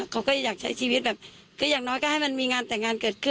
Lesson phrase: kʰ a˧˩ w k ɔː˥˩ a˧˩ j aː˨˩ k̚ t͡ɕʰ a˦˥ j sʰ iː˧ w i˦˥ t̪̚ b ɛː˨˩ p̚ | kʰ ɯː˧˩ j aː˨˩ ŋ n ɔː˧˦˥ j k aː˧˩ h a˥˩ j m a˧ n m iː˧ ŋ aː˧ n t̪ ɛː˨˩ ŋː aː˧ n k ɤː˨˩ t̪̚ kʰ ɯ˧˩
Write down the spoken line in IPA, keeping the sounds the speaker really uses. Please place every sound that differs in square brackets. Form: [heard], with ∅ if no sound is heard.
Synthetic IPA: kʰ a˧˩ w k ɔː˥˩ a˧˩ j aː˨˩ k̚ t͡ɕʰ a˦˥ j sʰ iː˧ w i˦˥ t̪̚ b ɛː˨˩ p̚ | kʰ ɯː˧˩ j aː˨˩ ŋ n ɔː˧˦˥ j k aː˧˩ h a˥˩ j m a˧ n m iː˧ ŋ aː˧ n t̪ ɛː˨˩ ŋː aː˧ n k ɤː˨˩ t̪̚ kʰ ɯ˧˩